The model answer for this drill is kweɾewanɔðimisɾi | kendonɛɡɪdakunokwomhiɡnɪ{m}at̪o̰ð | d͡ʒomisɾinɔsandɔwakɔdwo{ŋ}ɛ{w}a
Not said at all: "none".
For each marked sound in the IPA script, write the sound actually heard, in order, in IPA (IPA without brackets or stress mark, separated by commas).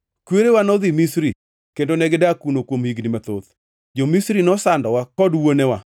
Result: m, n, w